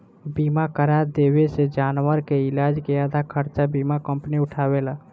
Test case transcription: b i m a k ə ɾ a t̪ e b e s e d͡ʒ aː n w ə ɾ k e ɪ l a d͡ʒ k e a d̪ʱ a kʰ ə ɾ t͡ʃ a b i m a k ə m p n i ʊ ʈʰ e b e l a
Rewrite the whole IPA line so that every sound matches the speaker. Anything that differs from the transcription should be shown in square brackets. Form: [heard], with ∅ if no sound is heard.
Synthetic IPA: b i m a k ə ɾ a [d̪] e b e s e d͡ʒ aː n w ə ɾ k e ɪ l a d͡ʒ k e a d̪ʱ a kʰ ə ɾ t͡ʃ a b i m a k ə m p n i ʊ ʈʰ [a] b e l a